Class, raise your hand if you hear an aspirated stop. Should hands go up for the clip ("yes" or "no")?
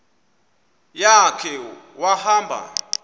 yes